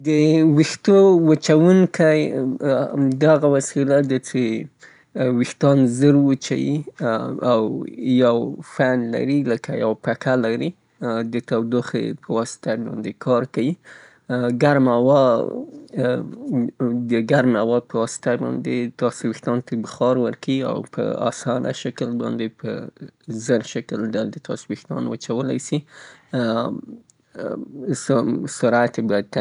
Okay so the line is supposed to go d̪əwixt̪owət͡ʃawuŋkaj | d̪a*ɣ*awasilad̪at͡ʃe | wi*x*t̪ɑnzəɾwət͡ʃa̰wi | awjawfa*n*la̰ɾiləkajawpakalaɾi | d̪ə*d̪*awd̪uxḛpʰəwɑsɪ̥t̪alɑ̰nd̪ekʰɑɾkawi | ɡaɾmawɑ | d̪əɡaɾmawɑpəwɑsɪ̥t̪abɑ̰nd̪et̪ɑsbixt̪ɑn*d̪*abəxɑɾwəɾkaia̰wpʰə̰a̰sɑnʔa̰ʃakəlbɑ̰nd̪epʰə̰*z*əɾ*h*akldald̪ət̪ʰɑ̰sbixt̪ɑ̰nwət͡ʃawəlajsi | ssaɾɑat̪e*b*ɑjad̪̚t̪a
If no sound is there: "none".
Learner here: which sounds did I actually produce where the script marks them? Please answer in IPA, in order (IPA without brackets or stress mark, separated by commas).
ɣ, x, n, t̪, t̪, z, ʃ, b